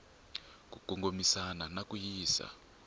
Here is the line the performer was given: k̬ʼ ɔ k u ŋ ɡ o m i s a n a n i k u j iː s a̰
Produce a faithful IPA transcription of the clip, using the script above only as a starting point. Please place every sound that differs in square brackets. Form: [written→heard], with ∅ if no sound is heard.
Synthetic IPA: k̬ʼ [ɔ→u] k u ŋ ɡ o m i s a n a n [i→a] k u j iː s a̰